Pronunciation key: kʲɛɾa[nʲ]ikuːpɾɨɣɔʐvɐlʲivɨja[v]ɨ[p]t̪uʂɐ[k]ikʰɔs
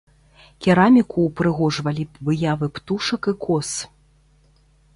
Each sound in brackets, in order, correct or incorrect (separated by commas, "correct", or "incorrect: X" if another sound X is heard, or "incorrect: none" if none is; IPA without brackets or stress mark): incorrect: mʲ, correct, correct, correct